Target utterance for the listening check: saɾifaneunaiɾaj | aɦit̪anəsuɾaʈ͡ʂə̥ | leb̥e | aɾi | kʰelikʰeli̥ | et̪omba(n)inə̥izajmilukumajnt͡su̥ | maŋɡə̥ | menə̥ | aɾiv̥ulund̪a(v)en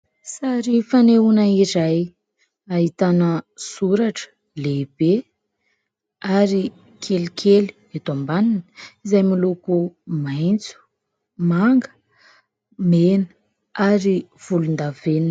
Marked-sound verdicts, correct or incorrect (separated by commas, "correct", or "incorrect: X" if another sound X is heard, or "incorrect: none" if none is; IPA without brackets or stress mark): correct, correct